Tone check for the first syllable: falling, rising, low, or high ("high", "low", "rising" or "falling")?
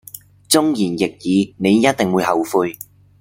high